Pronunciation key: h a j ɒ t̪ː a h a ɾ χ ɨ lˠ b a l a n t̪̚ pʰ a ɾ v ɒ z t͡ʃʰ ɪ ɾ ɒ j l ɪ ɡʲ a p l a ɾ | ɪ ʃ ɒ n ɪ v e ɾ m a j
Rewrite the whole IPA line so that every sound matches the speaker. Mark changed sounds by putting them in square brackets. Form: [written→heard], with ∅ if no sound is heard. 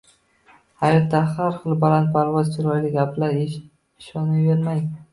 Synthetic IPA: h a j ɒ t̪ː a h a ɾ χ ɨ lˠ b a l a n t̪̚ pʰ a ɾ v ɒ z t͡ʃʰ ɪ ɾ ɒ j l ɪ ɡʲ a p l a ɾ | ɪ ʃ ɒ n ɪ v e ɾ m a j

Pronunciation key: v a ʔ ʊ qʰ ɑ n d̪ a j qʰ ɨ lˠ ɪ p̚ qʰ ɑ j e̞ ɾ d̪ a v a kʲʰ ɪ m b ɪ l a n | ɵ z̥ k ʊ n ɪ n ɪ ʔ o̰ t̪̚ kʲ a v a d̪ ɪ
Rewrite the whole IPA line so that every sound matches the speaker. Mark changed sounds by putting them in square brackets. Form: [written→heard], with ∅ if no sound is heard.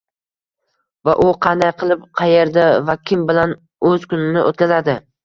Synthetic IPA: v a ʔ ʊ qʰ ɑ n d̪ a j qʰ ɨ lˠ ɪ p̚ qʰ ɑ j e̞ ɾ d̪ a v a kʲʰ ɪ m b ɪ l a n | ɵ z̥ k ʊ n ɪ n ɪ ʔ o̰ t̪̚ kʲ a [v→z] a d̪ ɪ

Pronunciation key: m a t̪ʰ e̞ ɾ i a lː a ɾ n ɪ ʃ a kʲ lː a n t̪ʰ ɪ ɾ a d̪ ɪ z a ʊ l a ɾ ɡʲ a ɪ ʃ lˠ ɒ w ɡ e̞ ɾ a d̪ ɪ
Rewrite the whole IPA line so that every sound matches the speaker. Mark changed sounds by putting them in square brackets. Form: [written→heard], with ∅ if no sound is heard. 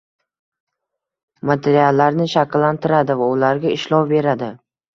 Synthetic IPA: m a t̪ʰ e̞ ɾ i a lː a ɾ n ɪ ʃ a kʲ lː a n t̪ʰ ɪ ɾ a d̪ ɪ [z→v] a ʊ l a ɾ ɡʲ a ɪ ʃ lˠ ɒ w [ɡ→b] e̞ ɾ a d̪ ɪ

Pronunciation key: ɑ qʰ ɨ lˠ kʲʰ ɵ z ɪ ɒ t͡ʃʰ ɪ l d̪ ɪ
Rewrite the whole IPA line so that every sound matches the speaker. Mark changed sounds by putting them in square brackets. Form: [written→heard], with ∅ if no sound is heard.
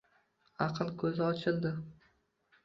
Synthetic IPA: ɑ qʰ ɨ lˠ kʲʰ ɵ z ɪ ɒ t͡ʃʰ ɪ l d̪ ɪ

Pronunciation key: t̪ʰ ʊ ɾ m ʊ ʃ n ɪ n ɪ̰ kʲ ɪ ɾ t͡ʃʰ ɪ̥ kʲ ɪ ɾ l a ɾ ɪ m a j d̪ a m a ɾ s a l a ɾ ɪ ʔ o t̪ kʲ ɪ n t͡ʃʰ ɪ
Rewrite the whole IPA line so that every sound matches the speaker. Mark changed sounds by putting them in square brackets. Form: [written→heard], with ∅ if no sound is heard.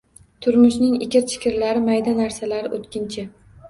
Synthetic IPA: t̪ʰ ʊ ɾ m ʊ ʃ n ɪ [n→ŋ] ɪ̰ kʲ ɪ ɾ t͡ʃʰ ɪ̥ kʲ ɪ ɾ l a ɾ ɪ m a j d̪ a [m→n] a ɾ s a l a ɾ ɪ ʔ o t̪ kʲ ɪ n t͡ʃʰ ɪ

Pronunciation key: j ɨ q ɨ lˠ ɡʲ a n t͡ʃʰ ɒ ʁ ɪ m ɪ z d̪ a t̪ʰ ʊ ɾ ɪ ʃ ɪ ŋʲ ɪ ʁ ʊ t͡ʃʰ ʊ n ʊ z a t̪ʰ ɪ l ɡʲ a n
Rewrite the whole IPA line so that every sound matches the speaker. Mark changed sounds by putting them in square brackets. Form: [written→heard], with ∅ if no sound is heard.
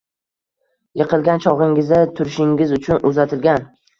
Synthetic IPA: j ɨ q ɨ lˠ ɡʲ a n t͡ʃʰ ɒ ʁ ɪ [m→ŋ] ɪ z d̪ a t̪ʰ ʊ ɾ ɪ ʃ ɪ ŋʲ ɪ [ʁ→z] ʊ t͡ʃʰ ʊ n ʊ z a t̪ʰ ɪ l ɡʲ a n

